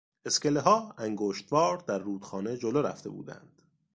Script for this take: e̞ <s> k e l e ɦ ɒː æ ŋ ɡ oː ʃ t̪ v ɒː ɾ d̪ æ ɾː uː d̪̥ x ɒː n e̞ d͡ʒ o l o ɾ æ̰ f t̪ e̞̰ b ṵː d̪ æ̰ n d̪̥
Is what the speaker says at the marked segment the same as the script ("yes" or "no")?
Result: yes